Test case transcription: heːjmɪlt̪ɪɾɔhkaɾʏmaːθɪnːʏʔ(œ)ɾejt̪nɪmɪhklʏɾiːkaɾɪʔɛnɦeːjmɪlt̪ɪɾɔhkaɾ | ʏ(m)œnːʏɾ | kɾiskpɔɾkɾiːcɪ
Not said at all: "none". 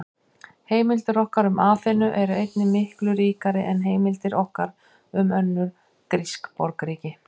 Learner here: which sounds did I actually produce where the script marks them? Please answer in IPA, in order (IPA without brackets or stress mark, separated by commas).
ɛ, m